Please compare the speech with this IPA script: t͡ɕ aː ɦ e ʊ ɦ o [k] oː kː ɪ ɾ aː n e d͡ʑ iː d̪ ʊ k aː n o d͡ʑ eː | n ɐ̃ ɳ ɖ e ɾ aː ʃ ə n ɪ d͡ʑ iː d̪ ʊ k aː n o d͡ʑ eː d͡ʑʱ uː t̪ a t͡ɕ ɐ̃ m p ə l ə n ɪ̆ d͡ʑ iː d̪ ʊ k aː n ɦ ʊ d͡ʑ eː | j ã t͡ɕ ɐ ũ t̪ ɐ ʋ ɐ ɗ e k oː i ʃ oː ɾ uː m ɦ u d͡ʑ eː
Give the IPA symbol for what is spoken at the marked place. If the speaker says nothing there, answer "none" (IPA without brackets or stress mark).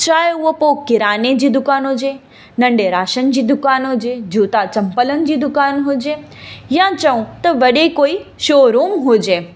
p